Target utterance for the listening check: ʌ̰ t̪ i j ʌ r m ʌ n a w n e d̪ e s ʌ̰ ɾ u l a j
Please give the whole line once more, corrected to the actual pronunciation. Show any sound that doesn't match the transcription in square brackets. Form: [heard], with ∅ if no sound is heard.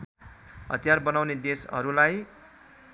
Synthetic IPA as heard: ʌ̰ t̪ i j [a] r [b] ʌ n a w n e d̪ e s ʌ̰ ɾ u l a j